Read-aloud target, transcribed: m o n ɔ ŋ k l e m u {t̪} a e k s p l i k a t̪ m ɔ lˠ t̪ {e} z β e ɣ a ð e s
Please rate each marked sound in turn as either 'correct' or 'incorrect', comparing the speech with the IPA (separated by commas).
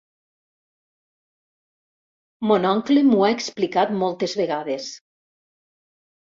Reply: incorrect, correct